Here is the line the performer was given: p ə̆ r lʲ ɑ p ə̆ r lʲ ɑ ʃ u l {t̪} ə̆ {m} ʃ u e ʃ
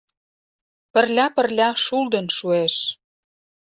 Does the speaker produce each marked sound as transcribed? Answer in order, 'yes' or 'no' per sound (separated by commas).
no, no